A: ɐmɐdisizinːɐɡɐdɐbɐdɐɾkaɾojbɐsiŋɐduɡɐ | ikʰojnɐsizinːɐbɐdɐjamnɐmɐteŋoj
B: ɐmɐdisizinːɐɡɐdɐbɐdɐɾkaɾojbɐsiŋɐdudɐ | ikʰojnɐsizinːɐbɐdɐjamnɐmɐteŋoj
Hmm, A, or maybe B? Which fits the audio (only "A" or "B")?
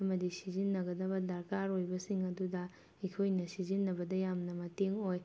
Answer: B